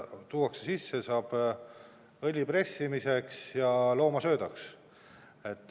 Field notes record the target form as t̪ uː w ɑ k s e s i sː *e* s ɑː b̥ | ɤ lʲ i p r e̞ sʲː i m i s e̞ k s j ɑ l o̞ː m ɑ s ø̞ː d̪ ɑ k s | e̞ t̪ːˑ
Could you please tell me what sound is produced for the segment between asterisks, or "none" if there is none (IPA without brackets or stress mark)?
e